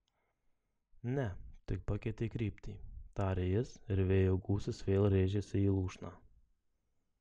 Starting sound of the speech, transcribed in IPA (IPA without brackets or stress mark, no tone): nʲ